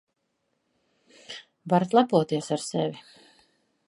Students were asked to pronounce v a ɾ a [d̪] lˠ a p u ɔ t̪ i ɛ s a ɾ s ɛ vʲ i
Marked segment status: incorrect: t̪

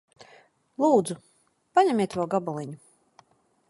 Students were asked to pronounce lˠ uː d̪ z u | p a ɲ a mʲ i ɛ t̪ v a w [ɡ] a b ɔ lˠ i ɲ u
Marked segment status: correct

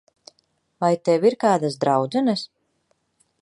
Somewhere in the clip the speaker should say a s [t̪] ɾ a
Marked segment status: incorrect: d̪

